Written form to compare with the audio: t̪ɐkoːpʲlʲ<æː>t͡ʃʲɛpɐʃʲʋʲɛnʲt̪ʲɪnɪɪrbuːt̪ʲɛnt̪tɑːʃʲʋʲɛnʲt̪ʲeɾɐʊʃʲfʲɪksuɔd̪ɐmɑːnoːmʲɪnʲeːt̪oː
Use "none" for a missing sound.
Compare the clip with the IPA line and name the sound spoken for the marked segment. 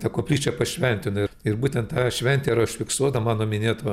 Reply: iː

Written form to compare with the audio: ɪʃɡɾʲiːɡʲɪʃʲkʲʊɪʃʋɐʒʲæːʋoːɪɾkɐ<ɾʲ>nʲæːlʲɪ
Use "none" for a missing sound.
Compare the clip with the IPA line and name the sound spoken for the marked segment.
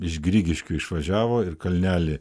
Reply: lʲ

